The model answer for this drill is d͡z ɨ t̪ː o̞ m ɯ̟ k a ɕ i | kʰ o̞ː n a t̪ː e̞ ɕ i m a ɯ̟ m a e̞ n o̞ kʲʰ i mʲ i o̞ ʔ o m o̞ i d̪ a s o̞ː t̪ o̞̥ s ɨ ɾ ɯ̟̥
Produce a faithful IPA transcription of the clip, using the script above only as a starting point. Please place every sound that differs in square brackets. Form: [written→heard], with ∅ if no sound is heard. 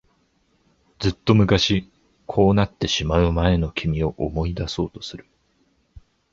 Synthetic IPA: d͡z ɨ t̪ː o̞ m ɯ̟ k a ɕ i | kʰ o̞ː n a t̪ː e̞ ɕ i m a ɯ̟ m a e̞ n o̞ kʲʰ i mʲ i o̞ ʔ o m o̞ i d̪ a s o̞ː t̪ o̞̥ s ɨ ɾ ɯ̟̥